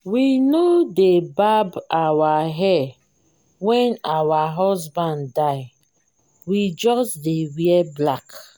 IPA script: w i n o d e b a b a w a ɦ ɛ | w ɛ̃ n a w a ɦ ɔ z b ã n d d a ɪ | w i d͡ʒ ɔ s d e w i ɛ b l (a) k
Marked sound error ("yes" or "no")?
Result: no